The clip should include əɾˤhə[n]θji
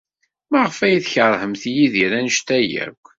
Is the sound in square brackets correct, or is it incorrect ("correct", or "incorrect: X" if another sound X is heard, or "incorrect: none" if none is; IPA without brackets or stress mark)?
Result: incorrect: m